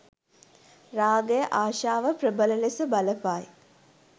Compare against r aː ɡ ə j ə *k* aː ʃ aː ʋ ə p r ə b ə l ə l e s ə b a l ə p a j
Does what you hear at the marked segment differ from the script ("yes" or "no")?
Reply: yes